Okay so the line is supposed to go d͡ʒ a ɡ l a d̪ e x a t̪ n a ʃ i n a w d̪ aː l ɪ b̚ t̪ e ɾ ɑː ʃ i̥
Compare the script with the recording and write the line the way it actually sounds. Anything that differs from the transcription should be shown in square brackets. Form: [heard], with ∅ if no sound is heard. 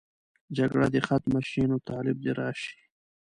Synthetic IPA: d͡ʒ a ɡ [ɽ] a d̪ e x a t̪ [m] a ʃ i n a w [t̪] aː l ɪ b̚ [d̪] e ɾ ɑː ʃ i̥